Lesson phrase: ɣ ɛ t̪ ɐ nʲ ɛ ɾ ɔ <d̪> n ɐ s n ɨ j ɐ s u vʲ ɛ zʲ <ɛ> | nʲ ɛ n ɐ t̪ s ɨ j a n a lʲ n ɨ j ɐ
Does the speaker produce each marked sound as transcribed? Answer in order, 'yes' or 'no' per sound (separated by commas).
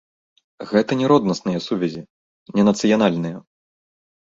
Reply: yes, no